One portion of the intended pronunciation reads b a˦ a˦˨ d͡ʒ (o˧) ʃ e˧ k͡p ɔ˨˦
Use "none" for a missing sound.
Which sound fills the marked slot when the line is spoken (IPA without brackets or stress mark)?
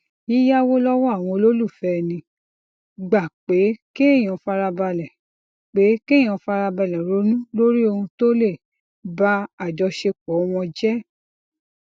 ɔ˧